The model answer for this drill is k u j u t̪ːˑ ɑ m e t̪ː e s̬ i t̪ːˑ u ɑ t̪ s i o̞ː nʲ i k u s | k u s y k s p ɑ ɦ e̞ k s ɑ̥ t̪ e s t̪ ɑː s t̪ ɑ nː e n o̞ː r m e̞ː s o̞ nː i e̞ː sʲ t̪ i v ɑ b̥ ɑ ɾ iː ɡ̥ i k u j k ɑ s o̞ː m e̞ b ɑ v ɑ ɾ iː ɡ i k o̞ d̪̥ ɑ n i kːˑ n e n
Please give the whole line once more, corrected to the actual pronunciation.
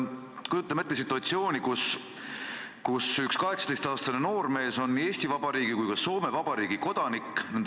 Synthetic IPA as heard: k u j u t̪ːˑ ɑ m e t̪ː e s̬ i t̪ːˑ u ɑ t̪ s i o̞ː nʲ i k u s | k u s y k s k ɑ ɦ e̞ k s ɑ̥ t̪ e s t̪ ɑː s t̪ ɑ n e n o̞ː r m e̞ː s o̞ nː i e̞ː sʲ t̪ i v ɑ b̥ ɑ ɾ iː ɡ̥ i k u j k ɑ s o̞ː m e̞ v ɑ b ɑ ɾ iː ɡ i k o̞ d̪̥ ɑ n i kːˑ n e n